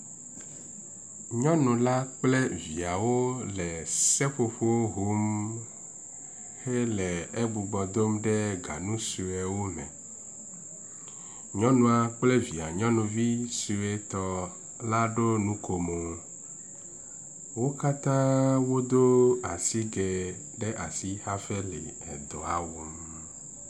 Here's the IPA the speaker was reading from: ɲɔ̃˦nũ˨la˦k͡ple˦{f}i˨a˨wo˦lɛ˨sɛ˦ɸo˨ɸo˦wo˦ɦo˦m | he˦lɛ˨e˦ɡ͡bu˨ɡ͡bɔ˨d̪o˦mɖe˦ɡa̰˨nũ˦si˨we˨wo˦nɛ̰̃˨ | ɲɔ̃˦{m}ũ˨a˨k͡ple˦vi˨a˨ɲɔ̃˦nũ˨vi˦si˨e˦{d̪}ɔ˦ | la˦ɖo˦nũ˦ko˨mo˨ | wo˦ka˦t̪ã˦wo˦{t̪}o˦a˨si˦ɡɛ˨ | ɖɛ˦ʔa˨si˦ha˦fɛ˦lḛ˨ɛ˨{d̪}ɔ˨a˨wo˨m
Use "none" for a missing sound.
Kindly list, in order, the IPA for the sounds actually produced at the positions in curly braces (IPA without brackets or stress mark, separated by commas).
v, n, t̪, d̪, d̪